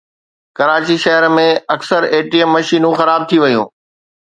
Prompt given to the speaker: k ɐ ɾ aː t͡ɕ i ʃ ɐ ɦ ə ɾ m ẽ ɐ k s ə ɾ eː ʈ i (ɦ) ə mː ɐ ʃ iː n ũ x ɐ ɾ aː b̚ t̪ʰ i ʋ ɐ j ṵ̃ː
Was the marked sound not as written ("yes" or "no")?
yes